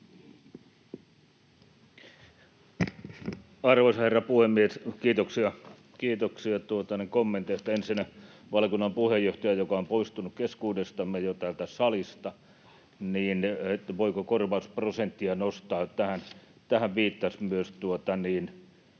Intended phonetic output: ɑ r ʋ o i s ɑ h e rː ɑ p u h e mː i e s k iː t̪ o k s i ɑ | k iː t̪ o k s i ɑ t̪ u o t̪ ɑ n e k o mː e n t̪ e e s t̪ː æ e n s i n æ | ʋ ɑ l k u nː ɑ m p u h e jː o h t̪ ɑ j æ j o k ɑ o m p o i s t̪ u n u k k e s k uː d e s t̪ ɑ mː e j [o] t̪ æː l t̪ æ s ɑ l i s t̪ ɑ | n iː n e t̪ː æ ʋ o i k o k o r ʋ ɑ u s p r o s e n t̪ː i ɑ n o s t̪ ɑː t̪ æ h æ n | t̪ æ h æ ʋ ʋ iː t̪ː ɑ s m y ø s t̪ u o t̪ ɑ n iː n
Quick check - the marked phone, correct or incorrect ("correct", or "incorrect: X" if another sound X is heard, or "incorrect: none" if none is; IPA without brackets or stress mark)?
correct